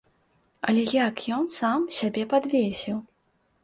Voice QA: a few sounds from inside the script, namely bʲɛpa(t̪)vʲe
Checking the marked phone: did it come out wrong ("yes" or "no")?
yes